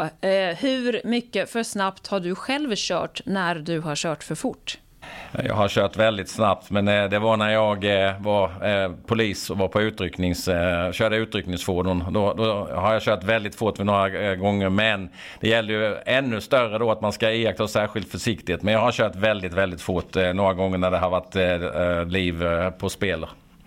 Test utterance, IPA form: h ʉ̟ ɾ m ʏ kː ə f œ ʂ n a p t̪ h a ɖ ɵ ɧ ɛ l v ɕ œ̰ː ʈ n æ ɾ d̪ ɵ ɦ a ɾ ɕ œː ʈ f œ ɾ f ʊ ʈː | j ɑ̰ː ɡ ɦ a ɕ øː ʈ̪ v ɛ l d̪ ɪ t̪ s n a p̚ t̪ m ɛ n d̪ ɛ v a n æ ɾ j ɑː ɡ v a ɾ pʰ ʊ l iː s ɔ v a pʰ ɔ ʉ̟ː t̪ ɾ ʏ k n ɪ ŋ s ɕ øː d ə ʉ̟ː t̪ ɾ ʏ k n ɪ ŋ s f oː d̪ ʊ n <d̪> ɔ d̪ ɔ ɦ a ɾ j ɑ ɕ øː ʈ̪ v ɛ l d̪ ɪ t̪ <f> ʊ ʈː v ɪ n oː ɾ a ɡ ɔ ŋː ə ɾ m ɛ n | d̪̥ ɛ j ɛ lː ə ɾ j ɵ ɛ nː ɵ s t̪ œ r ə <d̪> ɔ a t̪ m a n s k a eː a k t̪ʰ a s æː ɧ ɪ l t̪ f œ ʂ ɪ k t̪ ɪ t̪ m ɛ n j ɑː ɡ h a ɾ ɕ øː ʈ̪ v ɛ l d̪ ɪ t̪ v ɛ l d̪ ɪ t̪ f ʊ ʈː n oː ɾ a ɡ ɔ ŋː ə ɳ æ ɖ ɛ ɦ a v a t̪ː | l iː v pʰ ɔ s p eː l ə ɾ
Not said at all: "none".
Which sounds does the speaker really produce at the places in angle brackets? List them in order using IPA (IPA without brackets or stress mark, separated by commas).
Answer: d̪, f, d̪